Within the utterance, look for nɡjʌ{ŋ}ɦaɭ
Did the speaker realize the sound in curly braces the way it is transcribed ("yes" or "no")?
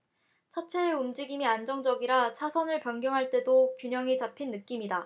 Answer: yes